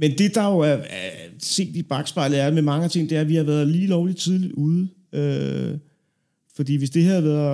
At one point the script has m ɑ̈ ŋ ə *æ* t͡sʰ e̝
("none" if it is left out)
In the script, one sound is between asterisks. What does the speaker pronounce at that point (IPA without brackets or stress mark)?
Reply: æ